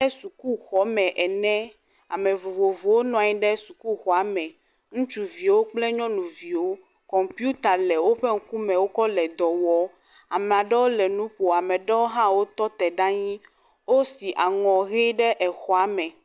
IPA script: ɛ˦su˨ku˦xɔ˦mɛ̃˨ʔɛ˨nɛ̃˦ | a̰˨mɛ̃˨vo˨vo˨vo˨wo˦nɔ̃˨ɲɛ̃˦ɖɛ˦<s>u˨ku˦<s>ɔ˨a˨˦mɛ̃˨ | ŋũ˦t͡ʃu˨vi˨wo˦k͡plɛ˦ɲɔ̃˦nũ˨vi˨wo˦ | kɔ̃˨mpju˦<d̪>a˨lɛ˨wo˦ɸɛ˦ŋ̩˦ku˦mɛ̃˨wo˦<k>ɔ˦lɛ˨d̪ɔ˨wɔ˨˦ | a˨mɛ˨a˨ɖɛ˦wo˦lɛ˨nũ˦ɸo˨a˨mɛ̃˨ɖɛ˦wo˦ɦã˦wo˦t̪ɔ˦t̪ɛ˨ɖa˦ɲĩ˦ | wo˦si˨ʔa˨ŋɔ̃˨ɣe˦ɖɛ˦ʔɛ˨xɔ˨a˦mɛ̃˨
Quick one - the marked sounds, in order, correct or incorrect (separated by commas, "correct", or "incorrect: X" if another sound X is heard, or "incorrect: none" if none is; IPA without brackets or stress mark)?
correct, incorrect: x, incorrect: t̪, correct